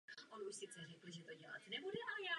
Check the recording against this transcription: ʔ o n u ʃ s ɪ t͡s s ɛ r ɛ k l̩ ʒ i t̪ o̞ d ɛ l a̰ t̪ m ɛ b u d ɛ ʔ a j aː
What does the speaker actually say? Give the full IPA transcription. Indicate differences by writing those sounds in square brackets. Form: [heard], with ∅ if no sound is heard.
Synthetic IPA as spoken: ʔ o n u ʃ s ɪ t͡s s ɛ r ɛ k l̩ ʒ [ɛ] t̪ o̞ [ɟ] ɛ l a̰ t̪ [n] ɛ b u d ɛ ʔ a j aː